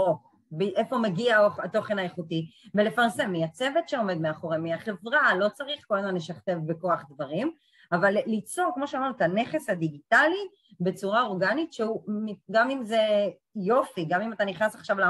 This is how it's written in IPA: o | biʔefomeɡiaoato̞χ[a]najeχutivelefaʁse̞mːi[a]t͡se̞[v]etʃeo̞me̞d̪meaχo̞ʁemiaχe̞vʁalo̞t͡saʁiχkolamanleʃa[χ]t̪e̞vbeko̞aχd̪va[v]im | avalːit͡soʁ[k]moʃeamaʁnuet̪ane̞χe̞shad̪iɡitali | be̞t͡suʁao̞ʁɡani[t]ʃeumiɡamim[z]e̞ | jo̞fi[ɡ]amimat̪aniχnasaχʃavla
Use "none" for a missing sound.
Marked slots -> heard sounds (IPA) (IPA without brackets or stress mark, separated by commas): e, a, v, χ, ʁ, k, t, z, ɡ